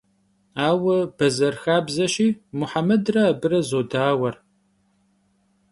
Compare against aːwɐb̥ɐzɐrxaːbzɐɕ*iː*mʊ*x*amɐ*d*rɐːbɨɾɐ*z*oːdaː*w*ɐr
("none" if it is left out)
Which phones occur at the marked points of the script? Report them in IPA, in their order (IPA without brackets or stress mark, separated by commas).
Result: iː, ħ, d, z, w